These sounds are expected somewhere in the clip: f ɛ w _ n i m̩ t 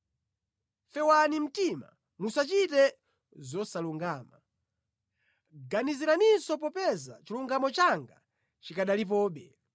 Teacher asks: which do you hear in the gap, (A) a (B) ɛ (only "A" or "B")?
A